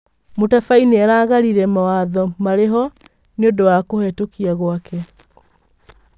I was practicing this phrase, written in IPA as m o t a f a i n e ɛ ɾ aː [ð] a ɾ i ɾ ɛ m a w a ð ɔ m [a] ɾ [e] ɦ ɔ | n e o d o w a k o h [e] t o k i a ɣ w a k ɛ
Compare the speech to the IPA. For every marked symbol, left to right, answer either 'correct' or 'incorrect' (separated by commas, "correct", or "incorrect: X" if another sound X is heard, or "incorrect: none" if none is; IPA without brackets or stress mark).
incorrect: ɣ, correct, correct, incorrect: ɛ